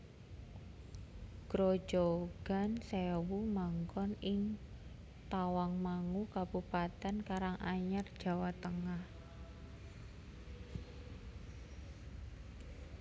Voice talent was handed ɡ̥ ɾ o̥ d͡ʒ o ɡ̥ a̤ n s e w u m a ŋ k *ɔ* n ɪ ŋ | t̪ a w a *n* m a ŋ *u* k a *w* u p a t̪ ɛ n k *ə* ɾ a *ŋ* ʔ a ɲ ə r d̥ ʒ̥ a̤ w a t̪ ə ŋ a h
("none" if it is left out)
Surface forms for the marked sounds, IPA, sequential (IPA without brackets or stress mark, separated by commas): ɔ, ŋ, u, b, a, ŋ